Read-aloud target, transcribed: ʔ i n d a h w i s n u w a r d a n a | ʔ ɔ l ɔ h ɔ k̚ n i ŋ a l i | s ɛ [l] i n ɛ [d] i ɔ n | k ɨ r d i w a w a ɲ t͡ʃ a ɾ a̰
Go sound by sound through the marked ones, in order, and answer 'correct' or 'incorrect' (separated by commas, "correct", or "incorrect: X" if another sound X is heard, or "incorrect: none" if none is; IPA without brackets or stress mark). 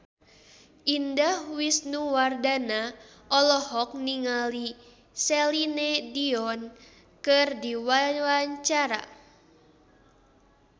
correct, correct